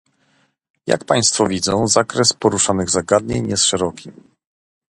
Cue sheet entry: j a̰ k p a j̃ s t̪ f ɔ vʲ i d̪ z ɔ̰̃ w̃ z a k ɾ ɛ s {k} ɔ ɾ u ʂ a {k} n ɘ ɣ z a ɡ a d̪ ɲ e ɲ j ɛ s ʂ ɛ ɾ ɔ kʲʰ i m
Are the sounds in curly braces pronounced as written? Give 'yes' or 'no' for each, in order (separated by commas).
no, no